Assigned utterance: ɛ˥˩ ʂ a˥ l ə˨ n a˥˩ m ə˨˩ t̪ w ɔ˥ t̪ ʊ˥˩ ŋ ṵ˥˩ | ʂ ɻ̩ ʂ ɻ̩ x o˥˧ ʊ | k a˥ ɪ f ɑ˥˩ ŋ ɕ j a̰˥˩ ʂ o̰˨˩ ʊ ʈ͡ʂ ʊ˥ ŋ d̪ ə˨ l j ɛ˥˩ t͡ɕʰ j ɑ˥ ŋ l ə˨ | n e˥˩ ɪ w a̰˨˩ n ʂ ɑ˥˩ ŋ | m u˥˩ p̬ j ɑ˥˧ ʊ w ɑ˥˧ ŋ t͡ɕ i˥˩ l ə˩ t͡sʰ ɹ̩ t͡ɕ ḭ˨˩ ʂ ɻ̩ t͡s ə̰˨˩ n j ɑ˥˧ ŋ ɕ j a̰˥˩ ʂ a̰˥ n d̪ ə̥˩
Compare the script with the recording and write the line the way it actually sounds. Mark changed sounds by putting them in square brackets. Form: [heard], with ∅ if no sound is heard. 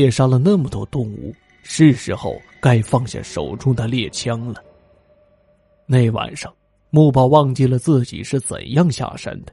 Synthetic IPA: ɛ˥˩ ʂ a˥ l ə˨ n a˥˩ m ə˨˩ t̪ w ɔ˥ t̪ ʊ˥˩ ŋ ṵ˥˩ | ʂ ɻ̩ ʂ ɻ̩ x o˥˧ ʊ | k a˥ ɪ f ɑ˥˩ ŋ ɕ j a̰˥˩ ʂ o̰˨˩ ʊ ʈ͡ʂ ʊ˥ ŋ d̪ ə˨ l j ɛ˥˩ t͡ɕʰ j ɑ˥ ŋ l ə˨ | n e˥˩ ɪ w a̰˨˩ n ʂ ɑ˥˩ ŋ | m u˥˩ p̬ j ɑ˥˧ ʊ w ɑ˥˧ ŋ t͡ɕ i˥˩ l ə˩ [t͡s] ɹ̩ t͡ɕ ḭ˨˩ ʂ ɻ̩ t͡s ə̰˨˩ n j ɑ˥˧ ŋ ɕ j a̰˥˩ ʂ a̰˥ n d̪ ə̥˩